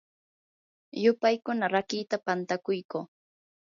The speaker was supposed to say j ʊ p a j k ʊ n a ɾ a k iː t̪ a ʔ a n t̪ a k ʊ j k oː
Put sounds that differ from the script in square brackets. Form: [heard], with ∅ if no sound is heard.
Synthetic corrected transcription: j ʊ p a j k ʊ n a ɾ a k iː t̪ a [p] a n t̪ a k ʊ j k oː